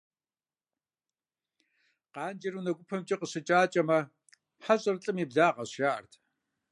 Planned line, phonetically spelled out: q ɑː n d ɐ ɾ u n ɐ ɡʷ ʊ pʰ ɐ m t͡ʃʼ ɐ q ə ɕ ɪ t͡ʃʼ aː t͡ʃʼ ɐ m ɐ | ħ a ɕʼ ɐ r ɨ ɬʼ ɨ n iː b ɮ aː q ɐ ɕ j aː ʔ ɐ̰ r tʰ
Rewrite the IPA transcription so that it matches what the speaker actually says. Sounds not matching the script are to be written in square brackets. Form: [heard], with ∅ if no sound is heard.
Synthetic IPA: q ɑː n [d͡ʒ] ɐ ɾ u n ɐ ɡʷ ʊ pʰ ɐ m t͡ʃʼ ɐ q ə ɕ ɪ t͡ʃʼ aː t͡ʃʼ ɐ m ɐ | ħ a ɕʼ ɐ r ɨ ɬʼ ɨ [m] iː b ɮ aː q ɐ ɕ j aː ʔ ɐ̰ r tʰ